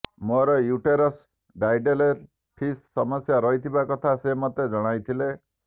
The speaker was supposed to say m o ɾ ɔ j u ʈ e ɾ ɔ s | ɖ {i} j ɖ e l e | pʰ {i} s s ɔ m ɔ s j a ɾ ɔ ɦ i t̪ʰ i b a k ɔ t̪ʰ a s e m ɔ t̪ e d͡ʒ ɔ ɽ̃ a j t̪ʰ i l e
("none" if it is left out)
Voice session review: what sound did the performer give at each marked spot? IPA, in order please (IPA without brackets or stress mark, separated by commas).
a, i